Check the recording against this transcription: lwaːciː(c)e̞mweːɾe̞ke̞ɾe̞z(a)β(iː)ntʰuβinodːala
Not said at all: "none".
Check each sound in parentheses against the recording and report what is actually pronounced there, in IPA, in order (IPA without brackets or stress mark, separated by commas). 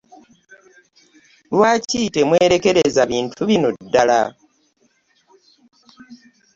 t, a, iː